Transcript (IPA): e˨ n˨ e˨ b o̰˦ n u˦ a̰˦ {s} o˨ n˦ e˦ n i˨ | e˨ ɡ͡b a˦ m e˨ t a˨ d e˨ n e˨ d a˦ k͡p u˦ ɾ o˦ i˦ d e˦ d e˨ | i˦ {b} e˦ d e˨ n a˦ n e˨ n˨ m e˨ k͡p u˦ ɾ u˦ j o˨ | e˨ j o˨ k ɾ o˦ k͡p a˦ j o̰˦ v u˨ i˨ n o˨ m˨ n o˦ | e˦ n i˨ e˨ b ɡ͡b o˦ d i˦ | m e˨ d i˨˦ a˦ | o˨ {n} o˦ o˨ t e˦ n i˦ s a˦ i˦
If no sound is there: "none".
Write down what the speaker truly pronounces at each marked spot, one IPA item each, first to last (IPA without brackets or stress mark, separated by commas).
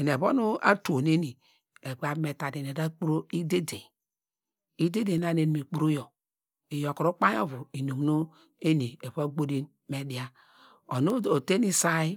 t, d, n